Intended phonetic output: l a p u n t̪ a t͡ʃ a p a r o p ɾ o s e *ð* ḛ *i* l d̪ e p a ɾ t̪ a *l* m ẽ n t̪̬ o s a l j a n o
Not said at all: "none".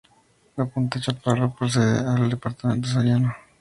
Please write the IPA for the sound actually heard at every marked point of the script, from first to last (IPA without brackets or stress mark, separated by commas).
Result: ð, a, none